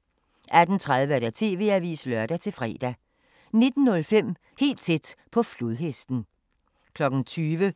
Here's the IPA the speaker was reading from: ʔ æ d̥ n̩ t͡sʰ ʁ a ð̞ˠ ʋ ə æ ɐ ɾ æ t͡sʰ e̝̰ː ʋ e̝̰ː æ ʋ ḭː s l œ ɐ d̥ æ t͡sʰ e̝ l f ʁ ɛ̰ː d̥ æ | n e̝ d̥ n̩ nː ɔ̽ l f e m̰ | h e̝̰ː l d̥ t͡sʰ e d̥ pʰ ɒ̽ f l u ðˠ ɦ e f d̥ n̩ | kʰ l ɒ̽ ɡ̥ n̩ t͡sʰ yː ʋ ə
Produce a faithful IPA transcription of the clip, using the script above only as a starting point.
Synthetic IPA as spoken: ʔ æ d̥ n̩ t͡sʰ ʁ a ð̞ˠ ʋ ə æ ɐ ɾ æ t͡sʰ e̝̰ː ʋ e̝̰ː æ ʋ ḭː s l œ ɐ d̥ æ t͡sʰ e̝ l f ʁ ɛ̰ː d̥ æ | n e̝ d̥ n̩ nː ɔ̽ l f e m̰ | h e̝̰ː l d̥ t͡sʰ e d̥ pʰ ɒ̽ f l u ðˠ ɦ e s d̥ n̩ | kʰ l ɒ̽ ɡ̥ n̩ t͡sʰ yː ʋ ə